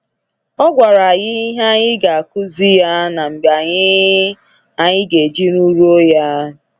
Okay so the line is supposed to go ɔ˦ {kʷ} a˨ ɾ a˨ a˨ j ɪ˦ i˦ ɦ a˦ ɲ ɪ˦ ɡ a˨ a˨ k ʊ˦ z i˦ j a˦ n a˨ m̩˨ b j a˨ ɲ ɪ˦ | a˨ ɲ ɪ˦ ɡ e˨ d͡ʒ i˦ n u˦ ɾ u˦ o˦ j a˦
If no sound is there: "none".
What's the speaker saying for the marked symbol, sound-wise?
ɡʷ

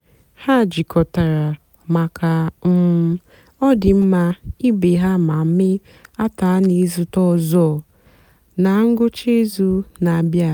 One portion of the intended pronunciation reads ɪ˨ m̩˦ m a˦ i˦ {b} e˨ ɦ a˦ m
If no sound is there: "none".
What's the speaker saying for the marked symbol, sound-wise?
b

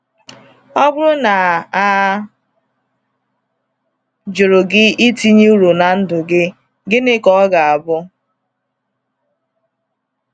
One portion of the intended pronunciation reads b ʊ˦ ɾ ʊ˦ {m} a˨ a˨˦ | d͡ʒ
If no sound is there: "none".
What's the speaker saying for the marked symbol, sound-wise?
n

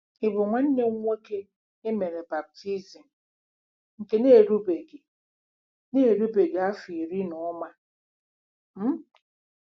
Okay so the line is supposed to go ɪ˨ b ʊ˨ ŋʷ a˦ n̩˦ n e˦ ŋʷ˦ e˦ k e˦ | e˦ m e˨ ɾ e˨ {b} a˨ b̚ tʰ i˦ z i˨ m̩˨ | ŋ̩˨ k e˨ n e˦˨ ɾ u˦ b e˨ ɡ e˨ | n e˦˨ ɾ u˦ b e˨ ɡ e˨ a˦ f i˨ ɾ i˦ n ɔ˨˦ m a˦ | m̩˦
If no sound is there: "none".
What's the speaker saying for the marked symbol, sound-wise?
b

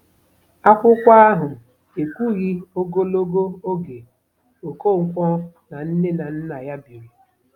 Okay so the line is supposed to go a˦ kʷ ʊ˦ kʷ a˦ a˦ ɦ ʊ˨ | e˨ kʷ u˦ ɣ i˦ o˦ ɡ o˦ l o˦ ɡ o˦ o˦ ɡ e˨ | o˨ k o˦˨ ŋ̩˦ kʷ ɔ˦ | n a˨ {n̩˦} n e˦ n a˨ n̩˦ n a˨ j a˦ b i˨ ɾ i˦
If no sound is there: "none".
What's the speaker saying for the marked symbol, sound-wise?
n̩˦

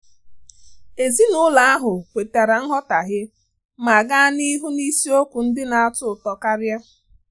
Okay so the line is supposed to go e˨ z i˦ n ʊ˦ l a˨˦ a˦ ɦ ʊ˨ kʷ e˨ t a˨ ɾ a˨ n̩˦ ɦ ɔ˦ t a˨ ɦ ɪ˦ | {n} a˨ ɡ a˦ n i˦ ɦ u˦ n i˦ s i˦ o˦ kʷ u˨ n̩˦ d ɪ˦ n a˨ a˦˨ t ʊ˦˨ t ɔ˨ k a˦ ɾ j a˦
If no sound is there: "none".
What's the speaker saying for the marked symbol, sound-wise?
m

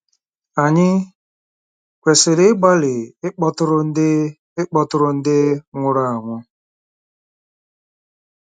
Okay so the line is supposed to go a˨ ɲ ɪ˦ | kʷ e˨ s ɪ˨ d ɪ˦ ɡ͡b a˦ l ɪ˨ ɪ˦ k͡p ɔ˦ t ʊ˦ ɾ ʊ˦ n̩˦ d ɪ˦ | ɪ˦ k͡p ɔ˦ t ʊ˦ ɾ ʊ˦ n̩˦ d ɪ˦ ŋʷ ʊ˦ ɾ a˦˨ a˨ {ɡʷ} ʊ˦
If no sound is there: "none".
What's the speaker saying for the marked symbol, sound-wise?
ŋʷ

